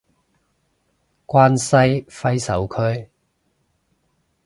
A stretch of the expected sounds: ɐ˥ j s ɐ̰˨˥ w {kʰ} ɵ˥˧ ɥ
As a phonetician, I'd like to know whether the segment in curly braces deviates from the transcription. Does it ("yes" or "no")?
no